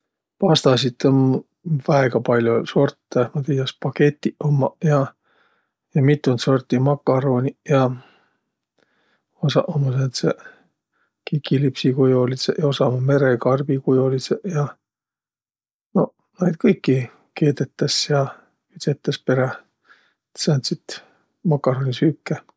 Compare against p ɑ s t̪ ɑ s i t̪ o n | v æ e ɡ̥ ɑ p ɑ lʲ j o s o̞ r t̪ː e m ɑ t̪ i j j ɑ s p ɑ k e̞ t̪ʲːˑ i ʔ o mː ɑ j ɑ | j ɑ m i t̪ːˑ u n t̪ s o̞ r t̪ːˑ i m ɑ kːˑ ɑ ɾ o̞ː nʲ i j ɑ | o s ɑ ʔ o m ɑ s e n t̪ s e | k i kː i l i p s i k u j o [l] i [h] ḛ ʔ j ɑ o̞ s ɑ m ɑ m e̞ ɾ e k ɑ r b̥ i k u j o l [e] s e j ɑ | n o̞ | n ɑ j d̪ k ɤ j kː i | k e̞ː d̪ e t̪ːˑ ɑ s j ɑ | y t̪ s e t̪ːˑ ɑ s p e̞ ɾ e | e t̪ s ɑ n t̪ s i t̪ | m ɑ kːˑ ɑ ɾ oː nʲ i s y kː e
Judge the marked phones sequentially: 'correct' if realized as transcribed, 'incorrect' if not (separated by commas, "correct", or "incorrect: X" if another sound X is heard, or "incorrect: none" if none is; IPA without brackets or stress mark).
correct, incorrect: s, incorrect: i